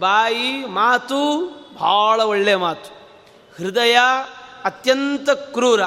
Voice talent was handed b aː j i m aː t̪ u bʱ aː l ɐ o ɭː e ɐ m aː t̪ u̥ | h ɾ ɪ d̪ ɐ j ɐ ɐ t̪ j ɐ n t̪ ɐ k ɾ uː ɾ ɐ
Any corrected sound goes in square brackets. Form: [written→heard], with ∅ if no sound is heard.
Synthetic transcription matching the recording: b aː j i m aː t̪ u bʱ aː [l→ɭ] ɐ o ɭː e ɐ m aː t̪ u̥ | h ɾ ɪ d̪ ɐ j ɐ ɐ t̪ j ɐ n t̪ ɐ k ɾ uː ɾ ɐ